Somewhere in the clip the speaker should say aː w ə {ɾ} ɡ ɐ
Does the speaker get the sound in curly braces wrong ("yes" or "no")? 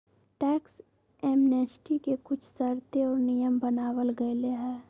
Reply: yes